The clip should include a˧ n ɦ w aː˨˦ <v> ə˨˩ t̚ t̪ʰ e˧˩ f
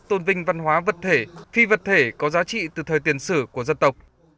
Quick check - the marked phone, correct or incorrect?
correct